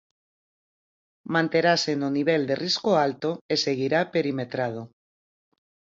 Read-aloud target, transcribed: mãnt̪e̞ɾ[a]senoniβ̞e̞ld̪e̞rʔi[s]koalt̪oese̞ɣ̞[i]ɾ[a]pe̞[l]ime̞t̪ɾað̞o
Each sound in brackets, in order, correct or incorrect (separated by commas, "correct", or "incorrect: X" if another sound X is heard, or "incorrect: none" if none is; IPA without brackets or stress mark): correct, correct, correct, correct, incorrect: ɾ